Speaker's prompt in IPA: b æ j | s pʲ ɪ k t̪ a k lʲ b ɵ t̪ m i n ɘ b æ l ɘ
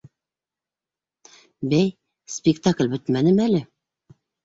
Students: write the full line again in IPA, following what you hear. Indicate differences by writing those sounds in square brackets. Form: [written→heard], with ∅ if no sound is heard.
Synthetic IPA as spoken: b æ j | s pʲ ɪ k t̪ a k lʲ b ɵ t̪ m [i→æ] n ɘ [b→m] æ l ɘ